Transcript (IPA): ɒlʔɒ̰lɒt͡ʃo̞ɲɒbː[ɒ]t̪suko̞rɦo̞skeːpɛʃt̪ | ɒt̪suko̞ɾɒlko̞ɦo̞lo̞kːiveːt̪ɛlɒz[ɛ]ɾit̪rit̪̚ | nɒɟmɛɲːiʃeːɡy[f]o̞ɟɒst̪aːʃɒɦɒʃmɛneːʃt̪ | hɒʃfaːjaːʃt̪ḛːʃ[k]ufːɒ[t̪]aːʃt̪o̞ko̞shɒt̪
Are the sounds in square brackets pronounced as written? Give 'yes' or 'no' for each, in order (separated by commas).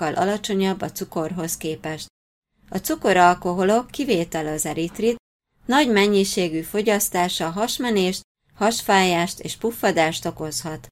yes, yes, yes, no, no